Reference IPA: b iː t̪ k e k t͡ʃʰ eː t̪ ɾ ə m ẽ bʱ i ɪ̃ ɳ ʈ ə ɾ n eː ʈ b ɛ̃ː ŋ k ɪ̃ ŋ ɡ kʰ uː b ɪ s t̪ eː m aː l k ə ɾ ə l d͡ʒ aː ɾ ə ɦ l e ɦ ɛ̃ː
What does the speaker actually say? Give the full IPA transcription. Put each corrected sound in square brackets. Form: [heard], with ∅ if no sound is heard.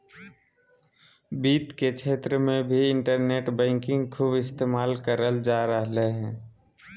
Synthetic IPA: b iː t̪ k e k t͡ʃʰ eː t̪ ɾ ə m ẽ bʱ i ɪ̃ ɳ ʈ ə ɾ n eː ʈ b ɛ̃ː ŋ k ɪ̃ ŋ ɡ kʰ uː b ɪ s t̪ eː m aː l k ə ɾ ə l d͡ʒ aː ɾ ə ɦ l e ɦ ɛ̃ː